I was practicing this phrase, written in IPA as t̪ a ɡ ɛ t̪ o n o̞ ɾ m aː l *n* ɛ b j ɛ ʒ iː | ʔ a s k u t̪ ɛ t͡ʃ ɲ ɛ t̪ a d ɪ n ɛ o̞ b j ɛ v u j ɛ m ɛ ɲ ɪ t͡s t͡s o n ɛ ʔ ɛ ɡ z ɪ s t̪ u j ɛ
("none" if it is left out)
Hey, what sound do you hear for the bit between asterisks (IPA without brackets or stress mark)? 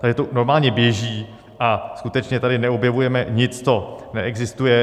ɲ